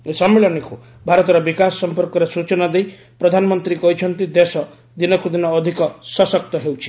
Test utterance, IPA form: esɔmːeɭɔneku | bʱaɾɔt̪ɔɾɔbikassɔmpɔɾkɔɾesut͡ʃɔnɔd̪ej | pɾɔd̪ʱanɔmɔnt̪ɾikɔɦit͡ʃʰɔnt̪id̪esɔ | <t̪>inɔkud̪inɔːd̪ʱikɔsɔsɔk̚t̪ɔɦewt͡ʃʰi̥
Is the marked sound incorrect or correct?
incorrect